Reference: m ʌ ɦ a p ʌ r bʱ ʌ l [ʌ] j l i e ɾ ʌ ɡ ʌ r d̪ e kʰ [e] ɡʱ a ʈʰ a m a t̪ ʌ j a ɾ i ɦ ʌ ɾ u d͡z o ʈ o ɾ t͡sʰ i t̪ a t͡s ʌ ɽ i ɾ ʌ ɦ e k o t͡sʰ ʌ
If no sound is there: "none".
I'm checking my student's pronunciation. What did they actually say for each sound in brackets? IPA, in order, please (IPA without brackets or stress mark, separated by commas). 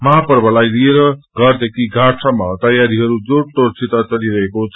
a, i